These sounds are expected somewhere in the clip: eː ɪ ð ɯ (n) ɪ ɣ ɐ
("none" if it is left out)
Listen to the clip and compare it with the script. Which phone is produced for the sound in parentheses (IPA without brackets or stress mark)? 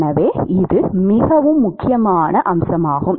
m